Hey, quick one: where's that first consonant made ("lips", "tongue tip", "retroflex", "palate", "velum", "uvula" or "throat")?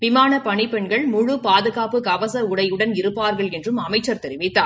lips